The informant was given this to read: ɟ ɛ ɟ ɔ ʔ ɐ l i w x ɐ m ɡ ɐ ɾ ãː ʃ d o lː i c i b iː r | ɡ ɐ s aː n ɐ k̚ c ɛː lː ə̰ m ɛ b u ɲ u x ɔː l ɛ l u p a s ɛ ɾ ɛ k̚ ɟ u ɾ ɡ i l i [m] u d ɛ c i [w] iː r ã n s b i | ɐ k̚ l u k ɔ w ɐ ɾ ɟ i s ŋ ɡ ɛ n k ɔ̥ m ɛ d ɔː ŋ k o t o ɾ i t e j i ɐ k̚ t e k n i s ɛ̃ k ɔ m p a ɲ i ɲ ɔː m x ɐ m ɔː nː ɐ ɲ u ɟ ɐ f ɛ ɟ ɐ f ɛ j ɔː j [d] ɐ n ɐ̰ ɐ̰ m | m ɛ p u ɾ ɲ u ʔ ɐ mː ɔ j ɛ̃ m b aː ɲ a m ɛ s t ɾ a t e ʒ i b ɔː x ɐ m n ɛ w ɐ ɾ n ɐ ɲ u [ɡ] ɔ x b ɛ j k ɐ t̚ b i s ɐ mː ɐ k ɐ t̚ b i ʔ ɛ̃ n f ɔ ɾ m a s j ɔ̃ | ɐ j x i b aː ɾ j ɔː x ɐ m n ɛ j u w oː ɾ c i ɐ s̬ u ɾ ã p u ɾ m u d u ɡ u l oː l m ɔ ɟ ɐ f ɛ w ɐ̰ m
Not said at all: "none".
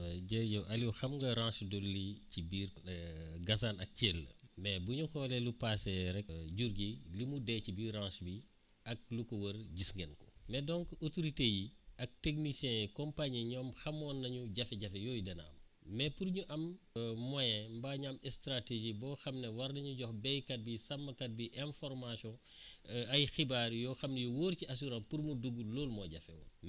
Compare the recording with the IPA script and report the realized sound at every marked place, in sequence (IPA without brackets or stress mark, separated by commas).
m, b, d, ɟ